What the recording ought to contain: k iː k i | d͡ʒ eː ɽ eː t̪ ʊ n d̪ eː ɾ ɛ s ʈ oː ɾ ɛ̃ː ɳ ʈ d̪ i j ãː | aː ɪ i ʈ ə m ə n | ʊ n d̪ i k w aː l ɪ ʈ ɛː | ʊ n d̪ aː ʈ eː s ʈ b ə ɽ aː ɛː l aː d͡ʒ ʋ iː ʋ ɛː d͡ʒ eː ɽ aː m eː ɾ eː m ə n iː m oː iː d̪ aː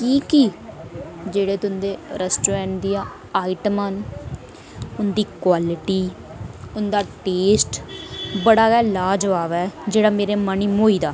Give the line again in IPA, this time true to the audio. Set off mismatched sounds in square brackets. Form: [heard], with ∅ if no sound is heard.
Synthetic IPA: k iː k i | d͡ʒ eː ɽ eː t̪ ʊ n d̪ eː ɾ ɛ s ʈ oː ɾ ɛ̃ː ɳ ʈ d̪ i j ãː | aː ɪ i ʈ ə m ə n | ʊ n d̪ [iː] k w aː l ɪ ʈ [iː] | ʊ n d̪ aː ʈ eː s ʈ b ə ɽ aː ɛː l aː d͡ʒ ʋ [aː] ʋ ɛː d͡ʒ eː ɽ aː m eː ɾ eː m ə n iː m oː iː d̪ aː